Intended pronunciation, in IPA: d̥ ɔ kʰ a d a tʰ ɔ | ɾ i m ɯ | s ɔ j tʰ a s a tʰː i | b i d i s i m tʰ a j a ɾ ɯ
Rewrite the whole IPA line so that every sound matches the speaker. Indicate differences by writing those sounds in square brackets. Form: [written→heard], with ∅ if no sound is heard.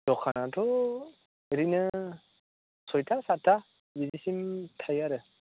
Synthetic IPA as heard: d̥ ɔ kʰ a [d→n] a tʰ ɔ | ɾ i [m→n] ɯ | s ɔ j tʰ a s a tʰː [i→a] | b i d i s i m tʰ a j a ɾ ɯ